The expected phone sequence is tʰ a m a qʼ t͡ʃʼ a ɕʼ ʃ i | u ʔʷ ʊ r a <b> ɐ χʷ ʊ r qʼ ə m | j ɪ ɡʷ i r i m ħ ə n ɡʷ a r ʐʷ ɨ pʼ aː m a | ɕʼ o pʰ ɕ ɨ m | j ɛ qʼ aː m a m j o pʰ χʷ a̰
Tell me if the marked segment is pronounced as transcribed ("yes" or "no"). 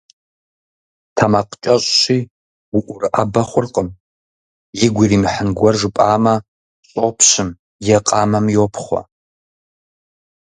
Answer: yes